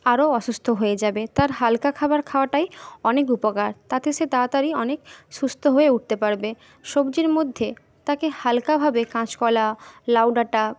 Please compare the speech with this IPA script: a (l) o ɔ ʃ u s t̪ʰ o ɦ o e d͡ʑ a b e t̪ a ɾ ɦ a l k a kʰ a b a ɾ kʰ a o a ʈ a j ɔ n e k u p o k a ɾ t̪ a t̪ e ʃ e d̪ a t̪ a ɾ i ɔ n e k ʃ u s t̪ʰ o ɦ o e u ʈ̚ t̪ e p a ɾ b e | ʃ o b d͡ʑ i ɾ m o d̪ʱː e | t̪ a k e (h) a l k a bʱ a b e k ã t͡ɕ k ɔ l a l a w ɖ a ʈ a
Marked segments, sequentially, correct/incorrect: incorrect, correct

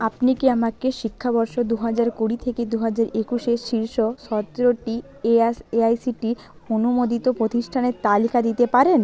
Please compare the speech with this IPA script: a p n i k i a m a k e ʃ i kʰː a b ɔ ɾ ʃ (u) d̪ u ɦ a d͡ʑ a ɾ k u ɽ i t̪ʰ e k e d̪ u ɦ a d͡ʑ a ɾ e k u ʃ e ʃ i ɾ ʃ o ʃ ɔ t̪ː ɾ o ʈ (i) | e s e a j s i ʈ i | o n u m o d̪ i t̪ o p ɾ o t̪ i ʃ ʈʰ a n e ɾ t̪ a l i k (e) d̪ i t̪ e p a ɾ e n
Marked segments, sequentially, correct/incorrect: incorrect, correct, incorrect

